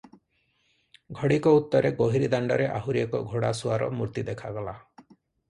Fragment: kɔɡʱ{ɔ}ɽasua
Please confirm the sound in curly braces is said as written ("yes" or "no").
no